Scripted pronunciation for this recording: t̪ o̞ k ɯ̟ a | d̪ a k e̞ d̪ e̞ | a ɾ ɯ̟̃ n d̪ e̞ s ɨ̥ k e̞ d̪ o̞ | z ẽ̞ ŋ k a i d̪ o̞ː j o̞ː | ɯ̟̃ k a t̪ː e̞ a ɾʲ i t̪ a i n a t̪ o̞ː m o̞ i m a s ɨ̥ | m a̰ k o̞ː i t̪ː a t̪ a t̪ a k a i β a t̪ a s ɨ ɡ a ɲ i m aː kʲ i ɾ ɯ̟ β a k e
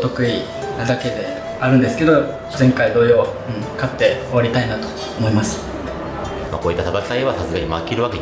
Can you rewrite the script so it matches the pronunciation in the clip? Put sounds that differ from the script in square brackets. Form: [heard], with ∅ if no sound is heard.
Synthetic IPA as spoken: t̪ o̞ k ɯ̟ [i] | d̪ a k e̞ d̪ e̞ | a ɾ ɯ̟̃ n d̪ e̞ s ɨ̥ k e̞ d̪ o̞ | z ẽ̞ ŋ k a i d̪ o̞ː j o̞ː | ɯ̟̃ k a t̪ː e̞ a ɾʲ i t̪ a i n a t̪ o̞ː m o̞ i m a s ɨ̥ | m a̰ k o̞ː i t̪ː a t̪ a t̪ a k a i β a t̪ a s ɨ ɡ a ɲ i m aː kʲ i ɾ ɯ̟ β a k e